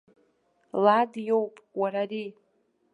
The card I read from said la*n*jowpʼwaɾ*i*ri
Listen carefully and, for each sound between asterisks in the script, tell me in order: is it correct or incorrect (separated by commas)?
incorrect, incorrect